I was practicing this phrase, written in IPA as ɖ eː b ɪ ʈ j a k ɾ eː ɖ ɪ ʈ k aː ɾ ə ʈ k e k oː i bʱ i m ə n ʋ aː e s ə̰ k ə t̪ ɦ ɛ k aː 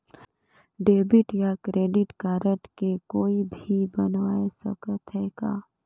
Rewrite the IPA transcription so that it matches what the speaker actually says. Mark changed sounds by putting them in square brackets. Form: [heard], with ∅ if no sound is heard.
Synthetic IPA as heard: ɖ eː b ɪ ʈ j a k ɾ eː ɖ ɪ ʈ k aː ɾ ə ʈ k e k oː i bʱ i [b] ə n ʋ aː e s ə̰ k ə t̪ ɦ ɛ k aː